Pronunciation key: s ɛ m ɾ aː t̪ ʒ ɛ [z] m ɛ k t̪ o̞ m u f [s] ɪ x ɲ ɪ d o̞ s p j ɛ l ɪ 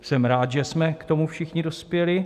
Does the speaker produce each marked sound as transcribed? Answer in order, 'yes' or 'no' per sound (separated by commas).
no, no